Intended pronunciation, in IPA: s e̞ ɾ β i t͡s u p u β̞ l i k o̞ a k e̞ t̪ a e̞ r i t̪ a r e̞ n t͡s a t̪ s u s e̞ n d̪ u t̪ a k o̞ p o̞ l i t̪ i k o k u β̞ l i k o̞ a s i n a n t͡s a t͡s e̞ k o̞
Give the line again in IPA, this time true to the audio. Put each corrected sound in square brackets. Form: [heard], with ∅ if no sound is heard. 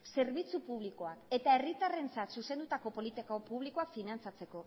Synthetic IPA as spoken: s e̞ ɾ β i t͡s u p u β̞ l i k o̞ a k e̞ t̪ a e̞ r i t̪ a r e̞ n t͡s a t̪ s u s e̞ n d̪ u t̪ a k o̞ p o̞ l i t̪ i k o [p] u β̞ l i k o̞ a [f] i n a n t͡s a t͡s e̞ k o̞